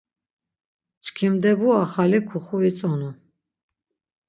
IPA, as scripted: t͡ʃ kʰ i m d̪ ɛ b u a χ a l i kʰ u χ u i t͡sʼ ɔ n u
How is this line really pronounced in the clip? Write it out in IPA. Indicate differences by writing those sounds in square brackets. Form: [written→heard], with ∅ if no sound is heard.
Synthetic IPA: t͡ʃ kʰ i m d̪ ɛ b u a χ a l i kʰ u χ u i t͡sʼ ɔ n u